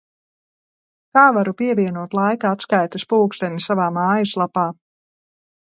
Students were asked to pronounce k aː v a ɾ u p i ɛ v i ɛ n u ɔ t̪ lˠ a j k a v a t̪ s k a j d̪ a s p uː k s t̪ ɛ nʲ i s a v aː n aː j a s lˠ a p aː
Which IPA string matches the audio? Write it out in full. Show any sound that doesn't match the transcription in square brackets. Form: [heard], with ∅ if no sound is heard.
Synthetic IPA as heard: k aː v a ɾ u p i ɛ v i ɛ n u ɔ t̪ lˠ a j k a [∅] a t̪ s k a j [t̪] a s p uː k s t̪ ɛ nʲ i s a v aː [m] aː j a s lˠ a p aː